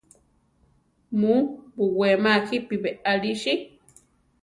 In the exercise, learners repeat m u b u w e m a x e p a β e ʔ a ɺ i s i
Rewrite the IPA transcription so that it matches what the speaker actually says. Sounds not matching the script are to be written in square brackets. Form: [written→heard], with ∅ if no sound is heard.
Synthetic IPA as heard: m u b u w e m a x [e→i] p [a→i] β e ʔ a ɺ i [s→ʃ] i